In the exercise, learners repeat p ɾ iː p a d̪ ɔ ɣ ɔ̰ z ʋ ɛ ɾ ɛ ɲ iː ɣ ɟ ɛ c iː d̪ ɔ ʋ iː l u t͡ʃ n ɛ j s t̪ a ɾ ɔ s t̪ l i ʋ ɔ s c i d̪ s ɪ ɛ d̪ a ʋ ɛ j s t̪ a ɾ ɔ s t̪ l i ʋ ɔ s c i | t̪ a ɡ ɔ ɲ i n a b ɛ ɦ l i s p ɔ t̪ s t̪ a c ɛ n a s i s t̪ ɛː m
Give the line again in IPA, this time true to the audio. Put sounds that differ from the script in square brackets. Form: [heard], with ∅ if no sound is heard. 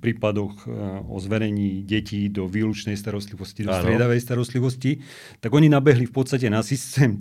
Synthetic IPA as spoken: p ɾ iː p a d̪ ɔ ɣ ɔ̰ z ʋ ɛ ɾ ɛ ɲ iː [∅] ɟ ɛ c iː d̪ ɔ ʋ iː l u t͡ʃ n ɛ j s t̪ a ɾ ɔ s t̪ l i ʋ ɔ s c i d̪ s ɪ ɛ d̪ a ʋ ɛ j s t̪ a ɾ ɔ s t̪ l i ʋ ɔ s c i | t̪ a ɡ ɔ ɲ i n a b ɛ ɦ l i [f] p ɔ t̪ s t̪ a c ɛ n a s i s t̪ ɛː m